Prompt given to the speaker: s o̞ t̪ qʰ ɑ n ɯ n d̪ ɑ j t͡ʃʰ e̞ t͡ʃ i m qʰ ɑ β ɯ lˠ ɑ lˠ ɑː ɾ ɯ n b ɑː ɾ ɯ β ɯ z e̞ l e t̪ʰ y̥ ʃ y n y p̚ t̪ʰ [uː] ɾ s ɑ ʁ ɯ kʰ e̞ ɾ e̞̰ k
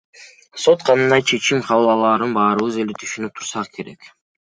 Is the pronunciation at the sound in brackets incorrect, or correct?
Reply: incorrect